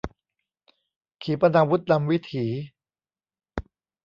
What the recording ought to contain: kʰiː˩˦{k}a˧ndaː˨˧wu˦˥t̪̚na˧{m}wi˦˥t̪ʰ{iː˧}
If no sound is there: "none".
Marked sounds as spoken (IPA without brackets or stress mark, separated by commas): p, m, iː˩˦